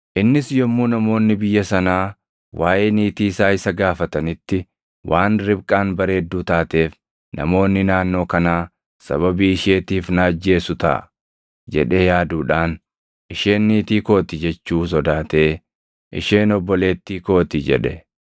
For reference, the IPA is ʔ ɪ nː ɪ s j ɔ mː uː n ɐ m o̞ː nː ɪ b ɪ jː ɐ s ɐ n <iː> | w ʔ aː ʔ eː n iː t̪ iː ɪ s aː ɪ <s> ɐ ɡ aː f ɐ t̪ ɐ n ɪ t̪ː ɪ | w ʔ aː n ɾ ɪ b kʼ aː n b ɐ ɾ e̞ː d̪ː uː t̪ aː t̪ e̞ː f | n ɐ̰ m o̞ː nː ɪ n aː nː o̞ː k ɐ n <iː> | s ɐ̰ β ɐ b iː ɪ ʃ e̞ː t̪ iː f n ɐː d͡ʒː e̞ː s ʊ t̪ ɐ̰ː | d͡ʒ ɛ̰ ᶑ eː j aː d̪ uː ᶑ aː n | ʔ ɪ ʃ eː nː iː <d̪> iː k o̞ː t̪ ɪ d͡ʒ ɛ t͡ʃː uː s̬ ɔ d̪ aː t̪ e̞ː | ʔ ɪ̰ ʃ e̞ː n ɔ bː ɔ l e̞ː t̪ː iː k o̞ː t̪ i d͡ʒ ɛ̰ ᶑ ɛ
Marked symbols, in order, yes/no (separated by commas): no, yes, no, no